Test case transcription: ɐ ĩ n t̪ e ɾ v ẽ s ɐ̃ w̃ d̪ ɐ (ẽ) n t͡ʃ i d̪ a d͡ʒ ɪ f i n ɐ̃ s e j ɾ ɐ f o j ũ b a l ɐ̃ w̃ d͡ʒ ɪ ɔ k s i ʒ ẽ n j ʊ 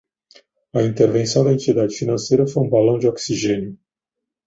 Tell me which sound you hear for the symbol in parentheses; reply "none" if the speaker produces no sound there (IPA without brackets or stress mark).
ẽ